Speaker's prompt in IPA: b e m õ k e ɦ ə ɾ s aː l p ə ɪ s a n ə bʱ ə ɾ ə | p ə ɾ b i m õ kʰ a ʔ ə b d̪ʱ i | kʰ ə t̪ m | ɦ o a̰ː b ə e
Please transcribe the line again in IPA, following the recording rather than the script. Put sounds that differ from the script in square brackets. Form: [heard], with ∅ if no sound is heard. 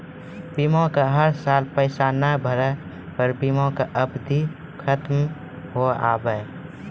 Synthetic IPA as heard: b [i] m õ k [a] ɦ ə ɾ s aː l p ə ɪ s a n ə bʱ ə ɾ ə | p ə ɾ b i m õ [k] a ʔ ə b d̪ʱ i | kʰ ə t̪ m | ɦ o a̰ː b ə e